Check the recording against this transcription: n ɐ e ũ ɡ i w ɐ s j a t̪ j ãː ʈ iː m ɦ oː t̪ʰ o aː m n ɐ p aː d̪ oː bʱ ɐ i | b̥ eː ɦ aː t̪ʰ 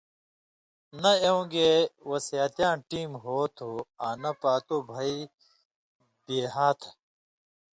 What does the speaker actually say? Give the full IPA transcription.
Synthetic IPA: n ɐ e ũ ɡ e w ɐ s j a t̪ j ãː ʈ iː m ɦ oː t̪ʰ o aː n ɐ p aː t̪ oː bʱ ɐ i | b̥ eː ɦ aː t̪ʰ